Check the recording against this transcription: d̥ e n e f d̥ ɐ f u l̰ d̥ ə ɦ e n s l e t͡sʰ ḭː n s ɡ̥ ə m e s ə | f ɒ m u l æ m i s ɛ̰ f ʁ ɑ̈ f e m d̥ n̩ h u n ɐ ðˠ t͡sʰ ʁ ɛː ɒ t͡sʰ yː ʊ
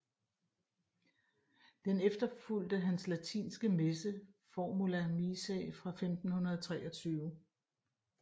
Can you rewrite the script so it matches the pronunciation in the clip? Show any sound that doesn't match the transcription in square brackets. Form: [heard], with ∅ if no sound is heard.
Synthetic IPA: d̥ e n e f d̥ ɐ f u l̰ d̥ ə ɦ [æ] n s l [æ] t͡sʰ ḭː n s ɡ̥ ə m e s ə | f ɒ m u l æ m i s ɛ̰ f ʁ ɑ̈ f e m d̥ n̩ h u n ɐ ðˠ t͡sʰ ʁ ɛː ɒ t͡sʰ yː ʊ

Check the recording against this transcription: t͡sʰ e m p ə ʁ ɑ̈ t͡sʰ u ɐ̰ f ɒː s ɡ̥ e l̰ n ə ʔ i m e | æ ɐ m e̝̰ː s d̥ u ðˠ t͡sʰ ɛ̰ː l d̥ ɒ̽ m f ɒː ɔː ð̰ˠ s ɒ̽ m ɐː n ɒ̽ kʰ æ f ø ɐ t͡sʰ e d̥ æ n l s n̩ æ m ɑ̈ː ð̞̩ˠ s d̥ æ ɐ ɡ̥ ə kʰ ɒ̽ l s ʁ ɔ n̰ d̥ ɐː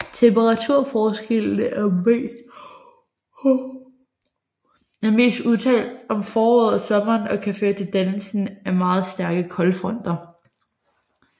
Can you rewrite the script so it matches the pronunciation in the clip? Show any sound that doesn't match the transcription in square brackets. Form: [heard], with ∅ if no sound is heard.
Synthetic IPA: t͡sʰ e m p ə ʁ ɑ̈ t͡sʰ u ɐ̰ f ɒː s ɡ̥ e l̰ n ə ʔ [æ] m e | æ ɐ m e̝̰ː s d̥ u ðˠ t͡sʰ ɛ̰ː l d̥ ɒ̽ m f ɒː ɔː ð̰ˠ s ɒ̽ m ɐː n ɒ̽ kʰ æ f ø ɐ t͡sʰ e d̥ æ n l s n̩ æ m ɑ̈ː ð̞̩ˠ s d̥ æ ɐ ɡ̥ ə kʰ ɒ̽ l [f] ʁ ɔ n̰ d̥ [ɐ]

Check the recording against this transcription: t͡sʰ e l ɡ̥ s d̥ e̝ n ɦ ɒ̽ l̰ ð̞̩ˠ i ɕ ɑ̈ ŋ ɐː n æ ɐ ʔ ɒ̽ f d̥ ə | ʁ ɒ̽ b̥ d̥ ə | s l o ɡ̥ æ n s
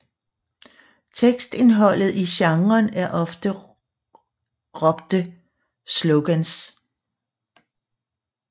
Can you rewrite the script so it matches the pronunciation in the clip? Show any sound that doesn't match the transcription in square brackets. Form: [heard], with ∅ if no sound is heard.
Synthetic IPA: t͡sʰ e [∅] ɡ̥ s d̥ e̝ n ɦ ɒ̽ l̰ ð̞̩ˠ i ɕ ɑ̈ ŋ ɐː n æ ɐ ʔ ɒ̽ f d̥ ə | ʁ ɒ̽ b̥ d̥ ə | s l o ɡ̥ æ n s

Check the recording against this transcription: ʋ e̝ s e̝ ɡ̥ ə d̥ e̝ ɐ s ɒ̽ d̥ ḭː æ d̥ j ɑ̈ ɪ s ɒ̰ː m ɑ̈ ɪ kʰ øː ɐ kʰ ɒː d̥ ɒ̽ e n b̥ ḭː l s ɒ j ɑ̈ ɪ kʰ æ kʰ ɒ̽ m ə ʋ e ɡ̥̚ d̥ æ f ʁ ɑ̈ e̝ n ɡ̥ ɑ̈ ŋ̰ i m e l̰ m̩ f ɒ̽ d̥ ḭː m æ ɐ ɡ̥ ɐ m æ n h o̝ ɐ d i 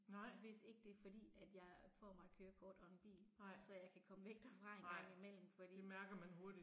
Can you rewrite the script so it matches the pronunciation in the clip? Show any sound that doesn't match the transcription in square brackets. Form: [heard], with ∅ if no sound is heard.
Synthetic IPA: ʋ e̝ s e̝ ɡ̥ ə d̥ e̝ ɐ [f] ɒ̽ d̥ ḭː æ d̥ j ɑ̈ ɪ [f] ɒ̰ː m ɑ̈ ɪ kʰ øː ɐ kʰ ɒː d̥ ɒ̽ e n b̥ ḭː l s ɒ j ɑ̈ ɪ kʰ æ kʰ ɒ̽ m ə ʋ e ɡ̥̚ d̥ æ f ʁ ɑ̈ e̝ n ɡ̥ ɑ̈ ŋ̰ i m e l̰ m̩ f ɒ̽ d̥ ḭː m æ ɐ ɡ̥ ɐ m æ n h o̝ ɐ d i

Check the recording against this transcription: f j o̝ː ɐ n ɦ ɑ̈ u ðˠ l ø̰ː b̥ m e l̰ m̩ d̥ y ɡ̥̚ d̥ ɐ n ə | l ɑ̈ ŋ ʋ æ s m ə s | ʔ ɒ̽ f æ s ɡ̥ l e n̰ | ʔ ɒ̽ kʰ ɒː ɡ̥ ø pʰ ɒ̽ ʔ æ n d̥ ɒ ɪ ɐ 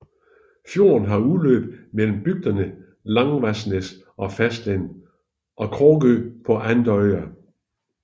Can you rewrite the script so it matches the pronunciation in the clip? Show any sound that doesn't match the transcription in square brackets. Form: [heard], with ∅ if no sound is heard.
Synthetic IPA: f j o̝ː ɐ n ɦ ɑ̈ u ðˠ l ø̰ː b̥ m e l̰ m̩ [b̥] y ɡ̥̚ d̥ ɐ n ə | l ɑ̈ ŋ ʋ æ s [n] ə s | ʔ ɒ̽ f æ s [d̥] l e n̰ | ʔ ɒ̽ kʰ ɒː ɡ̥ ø pʰ ɒ̽ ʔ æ n d̥ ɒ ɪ ɐ

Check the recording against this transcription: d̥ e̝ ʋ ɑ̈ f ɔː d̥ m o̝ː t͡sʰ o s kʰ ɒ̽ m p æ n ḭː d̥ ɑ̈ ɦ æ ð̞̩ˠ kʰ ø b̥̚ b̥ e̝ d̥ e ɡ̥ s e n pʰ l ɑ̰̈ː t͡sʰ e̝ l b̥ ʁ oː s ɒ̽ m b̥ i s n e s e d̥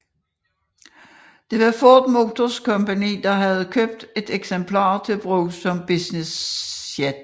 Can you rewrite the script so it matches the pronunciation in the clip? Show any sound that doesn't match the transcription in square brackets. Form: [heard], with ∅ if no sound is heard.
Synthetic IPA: d̥ e̝ ʋ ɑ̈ f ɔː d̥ m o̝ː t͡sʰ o s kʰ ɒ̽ m p æ n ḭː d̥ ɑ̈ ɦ æ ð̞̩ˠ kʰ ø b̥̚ [d̥] e̝ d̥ e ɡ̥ s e [m] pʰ l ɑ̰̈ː t͡sʰ e̝ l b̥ ʁ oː s ɒ̽ m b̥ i s n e s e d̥

